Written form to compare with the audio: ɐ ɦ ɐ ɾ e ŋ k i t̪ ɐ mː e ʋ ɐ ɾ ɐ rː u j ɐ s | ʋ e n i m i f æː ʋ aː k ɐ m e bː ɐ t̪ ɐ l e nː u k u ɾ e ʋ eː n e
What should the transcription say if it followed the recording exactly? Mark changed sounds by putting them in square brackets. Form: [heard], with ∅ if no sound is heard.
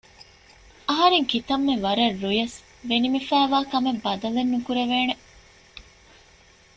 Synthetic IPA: ɐ ɦ ɐ ɾ e ŋ k i t̪ ɐ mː e ʋ ɐ ɾ ɐ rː u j ɐ s | ʋ e n i m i f æː ʋ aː k ɐ m e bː ɐ [d̪] ɐ l e nː u k u ɾ e ʋ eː n e